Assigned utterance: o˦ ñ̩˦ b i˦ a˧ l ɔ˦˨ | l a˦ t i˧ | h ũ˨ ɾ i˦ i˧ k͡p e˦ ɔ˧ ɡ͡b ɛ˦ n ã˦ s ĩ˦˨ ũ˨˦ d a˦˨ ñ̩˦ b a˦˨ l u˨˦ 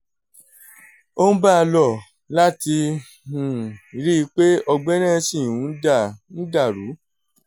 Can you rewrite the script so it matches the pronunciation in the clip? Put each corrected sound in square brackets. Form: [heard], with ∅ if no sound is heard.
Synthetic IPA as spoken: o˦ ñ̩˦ b [a˦] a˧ l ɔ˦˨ | l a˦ t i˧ | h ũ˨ ɾ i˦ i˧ k͡p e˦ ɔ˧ ɡ͡b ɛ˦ n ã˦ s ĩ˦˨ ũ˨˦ d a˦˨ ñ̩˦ [d] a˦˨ [ɾ] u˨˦